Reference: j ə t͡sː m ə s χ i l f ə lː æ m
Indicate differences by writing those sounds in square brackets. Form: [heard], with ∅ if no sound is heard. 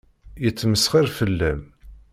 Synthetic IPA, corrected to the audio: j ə t͡sː m ə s χ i [ɾ] f ə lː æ m